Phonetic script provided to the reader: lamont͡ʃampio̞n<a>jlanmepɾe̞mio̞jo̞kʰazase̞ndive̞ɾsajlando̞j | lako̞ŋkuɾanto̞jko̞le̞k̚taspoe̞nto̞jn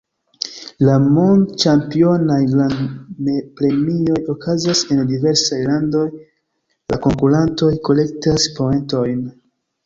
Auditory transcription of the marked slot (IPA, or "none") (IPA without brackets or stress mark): a